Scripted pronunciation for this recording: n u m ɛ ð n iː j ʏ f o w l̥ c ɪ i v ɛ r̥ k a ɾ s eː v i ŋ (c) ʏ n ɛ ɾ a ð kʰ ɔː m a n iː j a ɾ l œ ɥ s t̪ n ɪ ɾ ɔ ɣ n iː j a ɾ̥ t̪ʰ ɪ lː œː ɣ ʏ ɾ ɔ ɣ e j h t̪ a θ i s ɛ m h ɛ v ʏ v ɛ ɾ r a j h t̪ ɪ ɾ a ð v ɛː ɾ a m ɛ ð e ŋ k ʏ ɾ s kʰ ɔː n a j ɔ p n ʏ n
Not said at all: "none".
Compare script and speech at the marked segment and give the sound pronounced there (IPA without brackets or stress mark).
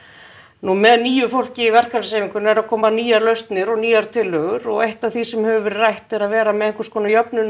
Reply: k